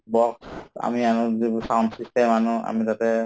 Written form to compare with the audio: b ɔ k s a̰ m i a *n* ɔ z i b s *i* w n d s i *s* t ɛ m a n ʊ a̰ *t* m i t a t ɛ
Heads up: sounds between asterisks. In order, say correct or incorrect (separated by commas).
correct, incorrect, correct, incorrect